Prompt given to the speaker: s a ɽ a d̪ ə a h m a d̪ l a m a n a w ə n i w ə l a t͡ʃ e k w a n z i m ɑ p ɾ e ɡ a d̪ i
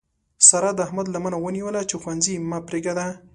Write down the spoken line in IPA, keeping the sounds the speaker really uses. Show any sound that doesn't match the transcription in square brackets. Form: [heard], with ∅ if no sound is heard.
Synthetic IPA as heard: s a [ɾ] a d̪ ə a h m a d̪ l a m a n a w ə n i w ə l a t͡ʃ e [x] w a n z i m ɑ p ɾ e ɡ a d̪ [a]